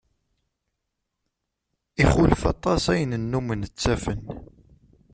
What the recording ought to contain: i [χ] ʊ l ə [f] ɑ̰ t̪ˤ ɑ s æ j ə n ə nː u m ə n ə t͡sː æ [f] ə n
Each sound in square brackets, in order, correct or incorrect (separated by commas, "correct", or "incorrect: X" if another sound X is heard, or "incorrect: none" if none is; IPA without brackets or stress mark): correct, correct, correct